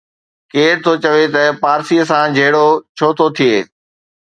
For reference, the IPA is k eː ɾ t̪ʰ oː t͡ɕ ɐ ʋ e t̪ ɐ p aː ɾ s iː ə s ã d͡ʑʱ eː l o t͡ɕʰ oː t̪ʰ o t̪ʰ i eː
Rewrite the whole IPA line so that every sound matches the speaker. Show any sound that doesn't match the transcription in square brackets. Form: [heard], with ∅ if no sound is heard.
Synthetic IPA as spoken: k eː ɾ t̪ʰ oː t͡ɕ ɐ ʋ e t̪ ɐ p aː ɾ s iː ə s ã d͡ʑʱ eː [ɽ] o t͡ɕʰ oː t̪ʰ o t̪ʰ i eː